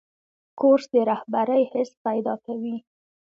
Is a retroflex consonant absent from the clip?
yes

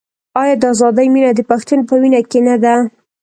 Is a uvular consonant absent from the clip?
yes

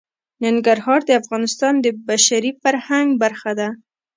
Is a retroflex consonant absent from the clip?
yes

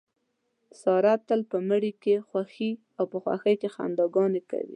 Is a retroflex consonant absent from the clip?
no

